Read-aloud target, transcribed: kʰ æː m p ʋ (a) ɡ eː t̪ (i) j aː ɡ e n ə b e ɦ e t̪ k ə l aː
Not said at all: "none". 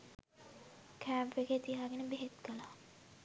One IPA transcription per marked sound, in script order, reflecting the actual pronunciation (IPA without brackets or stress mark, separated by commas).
e, i